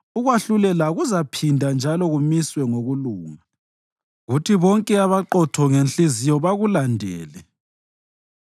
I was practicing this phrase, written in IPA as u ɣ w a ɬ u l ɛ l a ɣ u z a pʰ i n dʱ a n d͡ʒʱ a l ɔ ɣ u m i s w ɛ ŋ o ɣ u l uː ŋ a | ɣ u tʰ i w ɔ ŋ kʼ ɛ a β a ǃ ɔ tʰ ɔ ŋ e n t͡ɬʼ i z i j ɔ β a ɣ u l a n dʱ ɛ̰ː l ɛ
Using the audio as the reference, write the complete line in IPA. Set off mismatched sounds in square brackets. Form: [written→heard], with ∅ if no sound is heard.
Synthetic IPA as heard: u ɣ w a ɬ u l ɛ l a ɣ u z a pʰ i n dʱ a n d͡ʒʱ a l ɔ ɣ u m i s w ɛ ŋ o ɣ u l uː ŋ a | ɣ u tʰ i [w→β] ɔ ŋ kʼ ɛ a β a ǃ ɔ tʰ ɔ ŋ e n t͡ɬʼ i z i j ɔ β a ɣ u l a n dʱ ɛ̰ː l ɛ